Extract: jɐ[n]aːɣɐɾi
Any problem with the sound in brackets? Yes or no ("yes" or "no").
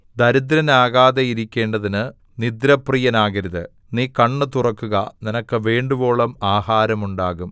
no